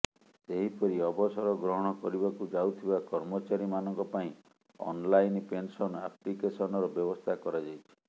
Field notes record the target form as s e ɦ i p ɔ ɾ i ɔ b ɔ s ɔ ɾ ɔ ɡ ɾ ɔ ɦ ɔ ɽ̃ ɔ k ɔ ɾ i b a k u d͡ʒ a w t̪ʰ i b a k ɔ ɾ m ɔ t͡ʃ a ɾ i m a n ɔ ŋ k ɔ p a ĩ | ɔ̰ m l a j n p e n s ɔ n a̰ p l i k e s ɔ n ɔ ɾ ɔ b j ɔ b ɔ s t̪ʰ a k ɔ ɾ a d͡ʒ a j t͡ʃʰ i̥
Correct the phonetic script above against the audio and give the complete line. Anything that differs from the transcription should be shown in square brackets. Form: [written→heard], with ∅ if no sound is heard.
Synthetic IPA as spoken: s e ɦ i p ɔ ɾ i ɔ b ɔ s ɔ ɾ ɔ ɡ ɾ ɔ ɦ ɔ ɽ̃ ɔ k ɔ ɾ i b a k u d͡ʒ a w t̪ʰ i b a k ɔ ɾ m ɔ t͡ʃ a ɾ i m a n ɔ ŋ k ɔ p a ĩ | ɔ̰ [m→n] l a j n p e n s ɔ n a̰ p l i k e s ɔ n ɔ ɾ ɔ b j ɔ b ɔ s t̪ʰ a k ɔ ɾ a d͡ʒ a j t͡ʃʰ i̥